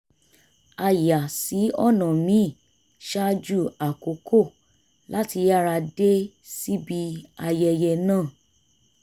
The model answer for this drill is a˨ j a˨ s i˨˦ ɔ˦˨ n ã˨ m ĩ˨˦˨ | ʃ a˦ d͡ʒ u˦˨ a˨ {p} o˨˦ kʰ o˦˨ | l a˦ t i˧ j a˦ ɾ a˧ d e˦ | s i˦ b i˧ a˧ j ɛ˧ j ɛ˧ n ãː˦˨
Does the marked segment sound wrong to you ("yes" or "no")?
yes